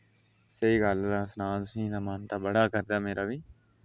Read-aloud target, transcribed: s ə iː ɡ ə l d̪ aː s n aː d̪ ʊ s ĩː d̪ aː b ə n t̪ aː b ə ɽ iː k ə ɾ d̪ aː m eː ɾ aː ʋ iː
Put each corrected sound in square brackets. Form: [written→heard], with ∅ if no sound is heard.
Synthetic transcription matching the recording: s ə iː ɡ ə l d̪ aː s n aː [d̪→t̪] ʊ s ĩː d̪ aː [b→m] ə n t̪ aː b ə ɽ [iː→aː] k ə ɾ d̪ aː m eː ɾ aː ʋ iː